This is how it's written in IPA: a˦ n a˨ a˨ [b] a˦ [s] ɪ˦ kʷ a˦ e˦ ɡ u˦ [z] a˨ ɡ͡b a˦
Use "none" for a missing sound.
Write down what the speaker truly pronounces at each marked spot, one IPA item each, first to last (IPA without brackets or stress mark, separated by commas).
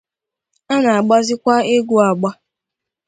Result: ɡ͡b, z, none